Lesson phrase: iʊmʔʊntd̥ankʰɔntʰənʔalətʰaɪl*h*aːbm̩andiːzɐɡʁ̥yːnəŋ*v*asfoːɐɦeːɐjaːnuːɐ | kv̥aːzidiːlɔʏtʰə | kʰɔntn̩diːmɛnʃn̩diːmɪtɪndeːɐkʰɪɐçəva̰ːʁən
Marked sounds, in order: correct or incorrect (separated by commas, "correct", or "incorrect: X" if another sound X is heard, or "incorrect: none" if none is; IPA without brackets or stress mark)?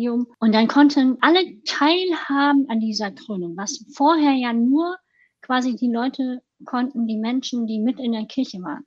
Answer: correct, correct